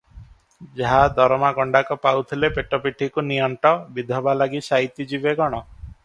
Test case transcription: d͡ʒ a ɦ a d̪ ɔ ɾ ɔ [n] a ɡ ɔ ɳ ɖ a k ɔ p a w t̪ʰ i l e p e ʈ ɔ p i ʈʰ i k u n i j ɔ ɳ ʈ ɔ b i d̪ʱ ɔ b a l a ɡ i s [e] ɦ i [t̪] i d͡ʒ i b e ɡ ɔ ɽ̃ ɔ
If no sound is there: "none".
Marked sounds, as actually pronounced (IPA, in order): m, a, t̪

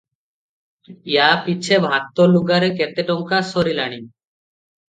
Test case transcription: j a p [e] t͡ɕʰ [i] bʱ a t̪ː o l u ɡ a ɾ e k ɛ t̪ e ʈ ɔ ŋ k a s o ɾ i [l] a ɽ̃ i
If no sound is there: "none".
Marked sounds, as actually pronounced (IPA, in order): i, e, l

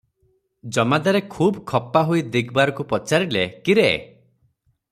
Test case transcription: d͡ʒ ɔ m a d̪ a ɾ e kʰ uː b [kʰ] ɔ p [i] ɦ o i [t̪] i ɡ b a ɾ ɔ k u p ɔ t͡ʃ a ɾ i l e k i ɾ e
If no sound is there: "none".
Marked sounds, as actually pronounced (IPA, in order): kʰ, a, d̪

